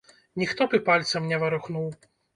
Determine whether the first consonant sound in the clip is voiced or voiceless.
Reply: voiced